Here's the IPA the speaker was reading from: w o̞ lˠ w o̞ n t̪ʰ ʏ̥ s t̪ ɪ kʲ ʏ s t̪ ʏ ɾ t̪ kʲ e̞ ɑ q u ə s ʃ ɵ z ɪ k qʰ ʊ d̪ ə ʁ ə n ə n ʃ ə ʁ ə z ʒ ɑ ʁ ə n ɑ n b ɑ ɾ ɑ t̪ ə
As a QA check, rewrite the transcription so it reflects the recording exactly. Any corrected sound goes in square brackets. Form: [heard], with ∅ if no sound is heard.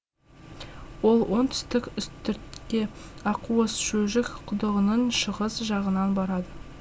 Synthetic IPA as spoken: w o̞ lˠ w o̞ n t̪ʰ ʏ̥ s t̪ ɪ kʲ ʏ s t̪ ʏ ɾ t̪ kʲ e̞ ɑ q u ə s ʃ ɵ [ʒ] ɪ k qʰ ʊ d̪ ə ʁ ə n ə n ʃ ə ʁ ə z ʒ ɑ ʁ ə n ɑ n b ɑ ɾ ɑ [d̪] ə